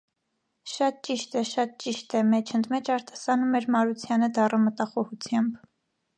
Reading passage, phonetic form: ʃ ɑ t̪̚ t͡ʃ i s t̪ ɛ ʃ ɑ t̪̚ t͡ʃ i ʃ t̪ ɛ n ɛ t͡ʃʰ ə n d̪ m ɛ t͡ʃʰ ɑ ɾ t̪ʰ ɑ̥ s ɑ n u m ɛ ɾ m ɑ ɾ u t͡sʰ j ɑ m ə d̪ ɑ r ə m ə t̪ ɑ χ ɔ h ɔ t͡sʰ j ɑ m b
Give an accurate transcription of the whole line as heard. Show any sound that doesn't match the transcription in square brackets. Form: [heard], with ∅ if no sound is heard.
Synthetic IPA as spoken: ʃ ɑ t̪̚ t͡ʃ i [ʃ] t̪ ɛ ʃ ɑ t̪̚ t͡ʃ i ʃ t̪ ɛ [m] ɛ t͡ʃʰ ə n d̪ m ɛ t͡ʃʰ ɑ ɾ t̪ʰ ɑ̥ s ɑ n u m ɛ ɾ m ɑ ɾ u t͡sʰ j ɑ [n] ə d̪ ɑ r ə m ə t̪ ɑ χ ɔ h [u] t͡sʰ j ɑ m b